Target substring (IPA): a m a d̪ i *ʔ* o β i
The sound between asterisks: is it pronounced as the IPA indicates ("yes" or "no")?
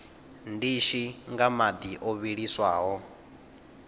yes